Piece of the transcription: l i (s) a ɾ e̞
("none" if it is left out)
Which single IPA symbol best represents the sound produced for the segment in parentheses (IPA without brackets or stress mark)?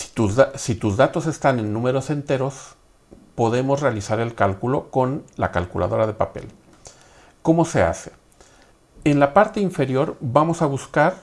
s